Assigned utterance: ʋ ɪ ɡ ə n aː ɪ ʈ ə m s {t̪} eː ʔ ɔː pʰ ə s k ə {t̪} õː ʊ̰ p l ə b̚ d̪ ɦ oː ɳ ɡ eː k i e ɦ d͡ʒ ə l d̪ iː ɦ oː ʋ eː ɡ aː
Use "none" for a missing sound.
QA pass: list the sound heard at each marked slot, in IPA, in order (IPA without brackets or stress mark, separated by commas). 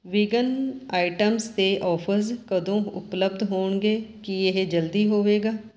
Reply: t̪, d̪